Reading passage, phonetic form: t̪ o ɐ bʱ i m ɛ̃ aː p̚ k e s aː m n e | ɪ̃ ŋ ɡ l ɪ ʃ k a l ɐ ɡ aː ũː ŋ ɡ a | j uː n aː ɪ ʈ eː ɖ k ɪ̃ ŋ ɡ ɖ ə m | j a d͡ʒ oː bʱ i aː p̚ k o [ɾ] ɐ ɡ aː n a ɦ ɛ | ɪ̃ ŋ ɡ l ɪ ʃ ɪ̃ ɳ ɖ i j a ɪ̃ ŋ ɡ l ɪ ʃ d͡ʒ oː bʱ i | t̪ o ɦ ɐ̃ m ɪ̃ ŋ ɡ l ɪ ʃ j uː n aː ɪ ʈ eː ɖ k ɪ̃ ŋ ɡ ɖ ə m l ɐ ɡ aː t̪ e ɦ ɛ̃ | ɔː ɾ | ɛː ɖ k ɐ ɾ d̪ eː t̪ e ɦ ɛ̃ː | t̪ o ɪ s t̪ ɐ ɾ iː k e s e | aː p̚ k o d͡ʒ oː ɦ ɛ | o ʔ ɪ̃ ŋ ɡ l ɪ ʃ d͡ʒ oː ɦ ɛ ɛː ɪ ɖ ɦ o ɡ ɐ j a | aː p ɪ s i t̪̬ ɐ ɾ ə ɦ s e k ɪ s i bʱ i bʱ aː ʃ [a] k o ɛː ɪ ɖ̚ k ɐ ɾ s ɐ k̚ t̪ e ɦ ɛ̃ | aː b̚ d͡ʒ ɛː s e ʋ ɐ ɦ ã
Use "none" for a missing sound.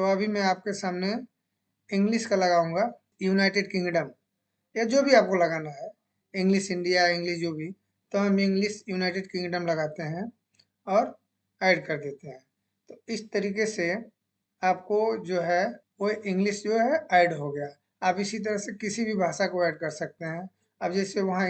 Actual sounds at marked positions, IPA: l, a

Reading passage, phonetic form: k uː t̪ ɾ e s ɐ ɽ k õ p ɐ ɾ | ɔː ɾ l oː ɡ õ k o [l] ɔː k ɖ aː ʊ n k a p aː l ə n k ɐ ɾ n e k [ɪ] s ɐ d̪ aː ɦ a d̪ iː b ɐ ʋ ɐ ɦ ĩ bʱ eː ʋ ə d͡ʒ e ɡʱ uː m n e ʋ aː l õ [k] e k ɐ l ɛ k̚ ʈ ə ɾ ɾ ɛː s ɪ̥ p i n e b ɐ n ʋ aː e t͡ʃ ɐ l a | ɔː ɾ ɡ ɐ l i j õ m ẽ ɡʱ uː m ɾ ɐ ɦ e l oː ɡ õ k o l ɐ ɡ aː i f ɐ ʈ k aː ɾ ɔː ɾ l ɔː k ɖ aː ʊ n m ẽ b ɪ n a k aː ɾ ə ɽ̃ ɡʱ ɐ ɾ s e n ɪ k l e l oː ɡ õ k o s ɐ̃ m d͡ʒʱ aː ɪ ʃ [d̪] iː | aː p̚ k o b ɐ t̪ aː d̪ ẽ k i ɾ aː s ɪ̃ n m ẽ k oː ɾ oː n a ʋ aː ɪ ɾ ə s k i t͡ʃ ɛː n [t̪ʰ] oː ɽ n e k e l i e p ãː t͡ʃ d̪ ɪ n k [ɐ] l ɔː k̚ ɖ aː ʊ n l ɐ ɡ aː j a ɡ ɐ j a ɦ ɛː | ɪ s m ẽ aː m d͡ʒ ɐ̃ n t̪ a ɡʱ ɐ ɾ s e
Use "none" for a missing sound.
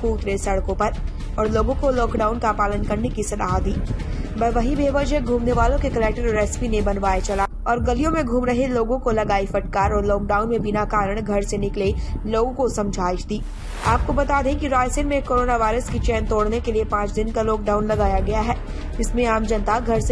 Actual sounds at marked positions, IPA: l, i, k, d̪, t̪, a

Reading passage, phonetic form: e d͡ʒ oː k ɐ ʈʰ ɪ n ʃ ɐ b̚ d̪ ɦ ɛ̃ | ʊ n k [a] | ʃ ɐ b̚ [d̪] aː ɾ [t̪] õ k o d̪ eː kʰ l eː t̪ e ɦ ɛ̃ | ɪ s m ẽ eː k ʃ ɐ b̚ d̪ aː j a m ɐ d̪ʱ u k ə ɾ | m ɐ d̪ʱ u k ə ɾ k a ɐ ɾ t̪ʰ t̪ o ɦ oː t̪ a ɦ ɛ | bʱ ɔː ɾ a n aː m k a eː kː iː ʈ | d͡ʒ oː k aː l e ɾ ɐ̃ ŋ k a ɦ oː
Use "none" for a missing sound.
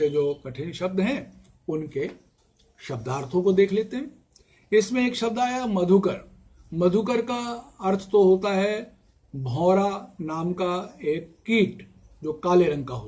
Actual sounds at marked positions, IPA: e, d̪, t̪ʰ

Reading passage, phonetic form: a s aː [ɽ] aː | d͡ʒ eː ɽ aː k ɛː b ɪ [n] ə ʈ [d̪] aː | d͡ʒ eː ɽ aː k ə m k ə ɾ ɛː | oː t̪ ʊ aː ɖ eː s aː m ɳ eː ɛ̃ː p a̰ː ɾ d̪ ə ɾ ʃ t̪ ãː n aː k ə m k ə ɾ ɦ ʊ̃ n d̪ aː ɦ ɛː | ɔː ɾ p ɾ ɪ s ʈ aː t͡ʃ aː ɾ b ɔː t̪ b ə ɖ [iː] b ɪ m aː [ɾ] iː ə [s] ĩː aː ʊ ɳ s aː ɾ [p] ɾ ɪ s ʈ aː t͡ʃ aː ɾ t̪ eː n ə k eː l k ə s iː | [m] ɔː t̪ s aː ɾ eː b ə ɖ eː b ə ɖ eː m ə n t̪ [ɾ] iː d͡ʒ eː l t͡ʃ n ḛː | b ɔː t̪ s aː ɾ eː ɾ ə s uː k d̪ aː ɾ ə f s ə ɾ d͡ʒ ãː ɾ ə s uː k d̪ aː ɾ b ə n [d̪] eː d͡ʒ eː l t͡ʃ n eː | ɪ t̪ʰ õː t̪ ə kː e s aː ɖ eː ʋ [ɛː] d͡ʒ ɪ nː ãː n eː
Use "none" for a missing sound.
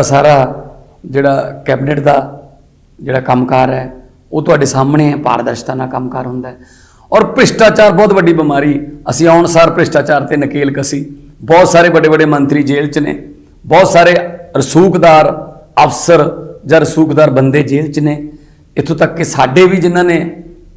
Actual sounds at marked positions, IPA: ɾ, n, d̪, iː, ɾ, s, p, b, ɾ, d̪, iː

